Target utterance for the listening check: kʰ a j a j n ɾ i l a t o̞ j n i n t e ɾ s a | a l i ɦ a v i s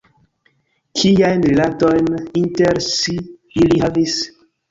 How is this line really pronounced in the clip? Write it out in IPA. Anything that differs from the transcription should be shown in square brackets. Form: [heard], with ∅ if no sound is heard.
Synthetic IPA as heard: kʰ [i] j a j n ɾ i l a t o̞ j n i n t e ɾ s [i] | [i] l i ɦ a v i s

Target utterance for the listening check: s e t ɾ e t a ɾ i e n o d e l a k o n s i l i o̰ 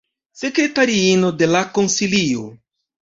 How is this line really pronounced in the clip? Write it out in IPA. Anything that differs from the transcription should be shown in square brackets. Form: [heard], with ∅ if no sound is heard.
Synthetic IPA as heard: s e [k] ɾ e t a ɾ i [i] n o d e l a k o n s i l i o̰

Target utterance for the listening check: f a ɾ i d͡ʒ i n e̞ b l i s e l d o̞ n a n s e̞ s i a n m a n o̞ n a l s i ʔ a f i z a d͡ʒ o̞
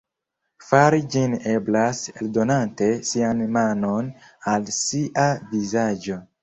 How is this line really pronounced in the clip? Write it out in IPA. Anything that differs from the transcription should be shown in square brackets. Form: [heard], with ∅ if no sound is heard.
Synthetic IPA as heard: f a ɾ i d͡ʒ i n e̞ b l [a] s e l d o̞ n a n [t] e̞ s i a n m a n o̞ n a l s i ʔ a [v] i z a d͡ʒ o̞

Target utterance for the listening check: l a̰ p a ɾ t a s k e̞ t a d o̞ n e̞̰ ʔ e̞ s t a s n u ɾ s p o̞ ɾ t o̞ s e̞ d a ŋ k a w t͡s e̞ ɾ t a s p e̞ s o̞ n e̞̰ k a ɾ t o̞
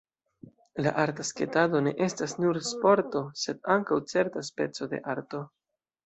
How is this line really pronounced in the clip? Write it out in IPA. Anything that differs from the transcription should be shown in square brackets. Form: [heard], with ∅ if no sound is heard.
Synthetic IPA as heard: l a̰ [ʔ] a ɾ t a s k e̞ t a d o̞ n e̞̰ ʔ e̞ s t a s n u ɾ s p o̞ ɾ t o̞ s e̞ d a ŋ k a w t͡s e̞ ɾ t a s p e̞ [t͡s] o̞ [d] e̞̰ [ʔ] a ɾ t o̞

